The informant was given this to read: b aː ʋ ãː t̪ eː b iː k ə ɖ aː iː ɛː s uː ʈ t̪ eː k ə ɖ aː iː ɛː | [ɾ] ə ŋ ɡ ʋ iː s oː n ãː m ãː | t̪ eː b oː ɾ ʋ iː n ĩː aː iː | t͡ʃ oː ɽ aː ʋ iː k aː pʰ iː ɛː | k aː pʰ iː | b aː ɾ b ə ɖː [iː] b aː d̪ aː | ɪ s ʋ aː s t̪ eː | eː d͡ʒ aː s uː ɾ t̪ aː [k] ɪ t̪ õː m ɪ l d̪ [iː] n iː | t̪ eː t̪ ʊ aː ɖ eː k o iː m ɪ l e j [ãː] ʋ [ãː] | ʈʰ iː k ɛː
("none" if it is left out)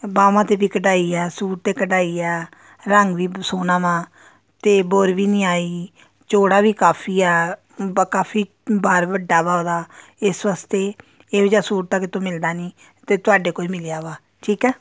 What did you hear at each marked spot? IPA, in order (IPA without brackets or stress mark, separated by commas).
ɾ, aː, k, aː, aː, aː